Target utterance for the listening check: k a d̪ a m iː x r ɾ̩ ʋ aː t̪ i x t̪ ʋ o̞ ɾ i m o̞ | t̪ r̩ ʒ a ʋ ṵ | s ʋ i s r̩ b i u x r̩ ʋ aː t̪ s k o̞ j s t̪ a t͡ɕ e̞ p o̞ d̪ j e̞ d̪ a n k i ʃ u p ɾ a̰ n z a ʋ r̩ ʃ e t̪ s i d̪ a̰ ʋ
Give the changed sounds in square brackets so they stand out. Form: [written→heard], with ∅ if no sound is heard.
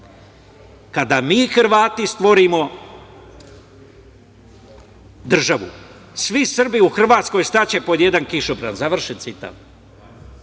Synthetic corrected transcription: k a d̪ a m iː x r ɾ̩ ʋ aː t̪ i [x→s] t̪ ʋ o̞ ɾ i m o̞ | [t̪→d̪] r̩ ʒ a ʋ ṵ | s ʋ i s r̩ b i u x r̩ ʋ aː t̪ s k o̞ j s t̪ a t͡ɕ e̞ p o̞ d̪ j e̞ d̪ a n k i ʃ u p ɾ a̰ n z a ʋ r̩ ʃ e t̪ s i [d̪→t̪] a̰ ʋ